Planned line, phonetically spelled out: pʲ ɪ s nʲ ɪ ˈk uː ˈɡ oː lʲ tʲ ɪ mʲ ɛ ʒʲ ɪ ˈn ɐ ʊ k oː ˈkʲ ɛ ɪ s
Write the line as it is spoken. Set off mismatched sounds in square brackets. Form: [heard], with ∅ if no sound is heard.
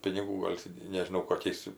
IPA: pʲ ɪ [∅] nʲ ɪ [ˈɡ] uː ˈɡ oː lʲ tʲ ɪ [nʲ] ɛ ʒʲ ɪ ˈn ɐ ʊ k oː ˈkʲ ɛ ɪ s